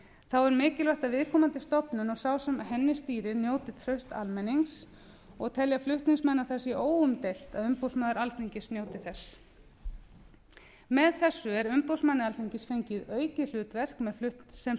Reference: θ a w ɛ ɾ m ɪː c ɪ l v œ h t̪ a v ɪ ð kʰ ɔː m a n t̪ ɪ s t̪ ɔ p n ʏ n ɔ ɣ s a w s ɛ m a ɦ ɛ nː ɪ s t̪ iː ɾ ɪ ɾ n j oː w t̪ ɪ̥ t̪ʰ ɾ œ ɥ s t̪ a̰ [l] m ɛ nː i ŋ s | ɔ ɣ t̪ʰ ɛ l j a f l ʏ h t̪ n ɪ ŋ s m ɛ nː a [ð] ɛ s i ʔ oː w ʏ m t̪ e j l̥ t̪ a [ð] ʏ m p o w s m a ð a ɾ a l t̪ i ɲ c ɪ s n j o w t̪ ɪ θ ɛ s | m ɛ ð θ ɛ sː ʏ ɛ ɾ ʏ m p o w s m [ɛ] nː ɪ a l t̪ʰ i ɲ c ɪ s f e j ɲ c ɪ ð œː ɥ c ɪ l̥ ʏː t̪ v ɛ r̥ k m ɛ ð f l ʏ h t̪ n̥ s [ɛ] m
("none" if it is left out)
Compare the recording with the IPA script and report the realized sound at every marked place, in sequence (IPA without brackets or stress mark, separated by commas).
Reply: l, θ, ð, a, ɛ